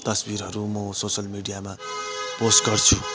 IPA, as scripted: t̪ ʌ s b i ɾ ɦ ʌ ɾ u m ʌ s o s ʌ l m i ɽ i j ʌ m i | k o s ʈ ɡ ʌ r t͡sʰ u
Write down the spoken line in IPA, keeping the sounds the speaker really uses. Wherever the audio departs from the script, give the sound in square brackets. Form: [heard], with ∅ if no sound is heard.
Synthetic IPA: t̪ ʌ s b i ɾ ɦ ʌ ɾ u m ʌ s o s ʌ l m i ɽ i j [a] m [a] | [p] o s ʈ ɡ ʌ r t͡sʰ u